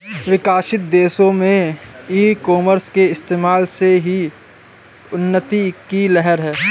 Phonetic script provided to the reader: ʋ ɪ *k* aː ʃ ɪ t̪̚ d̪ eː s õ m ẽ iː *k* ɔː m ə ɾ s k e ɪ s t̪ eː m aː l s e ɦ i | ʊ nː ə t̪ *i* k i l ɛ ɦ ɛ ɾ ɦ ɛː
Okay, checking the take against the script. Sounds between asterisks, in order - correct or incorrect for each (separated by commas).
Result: correct, correct, correct